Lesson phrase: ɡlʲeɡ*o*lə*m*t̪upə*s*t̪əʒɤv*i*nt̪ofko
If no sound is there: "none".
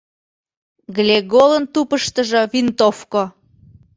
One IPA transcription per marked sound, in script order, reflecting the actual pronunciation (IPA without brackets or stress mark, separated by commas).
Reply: o, n, ʃ, i